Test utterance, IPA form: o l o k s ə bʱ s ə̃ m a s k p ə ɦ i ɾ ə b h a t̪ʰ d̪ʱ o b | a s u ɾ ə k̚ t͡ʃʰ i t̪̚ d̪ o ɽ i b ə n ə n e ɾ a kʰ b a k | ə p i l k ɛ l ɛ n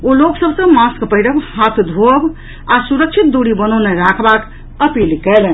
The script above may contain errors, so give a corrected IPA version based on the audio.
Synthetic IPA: o l o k s ə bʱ s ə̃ m a s k p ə ɦ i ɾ ə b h a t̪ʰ d̪ʱ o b | a s u ɾ ə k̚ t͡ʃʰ i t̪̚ d̪ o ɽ i b ə n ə n e ɾ a kʰ b a k | ə p i l k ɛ l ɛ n